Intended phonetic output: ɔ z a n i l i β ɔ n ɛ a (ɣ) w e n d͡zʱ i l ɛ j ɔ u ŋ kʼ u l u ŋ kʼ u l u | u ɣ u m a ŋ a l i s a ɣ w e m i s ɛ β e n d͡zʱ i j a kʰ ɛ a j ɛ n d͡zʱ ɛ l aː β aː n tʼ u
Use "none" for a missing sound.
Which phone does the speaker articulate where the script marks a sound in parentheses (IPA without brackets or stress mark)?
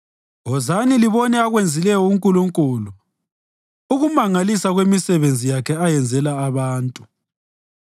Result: ɣ